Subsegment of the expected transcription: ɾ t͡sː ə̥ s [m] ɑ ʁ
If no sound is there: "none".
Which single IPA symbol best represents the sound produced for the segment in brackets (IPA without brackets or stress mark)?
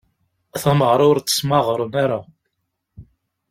m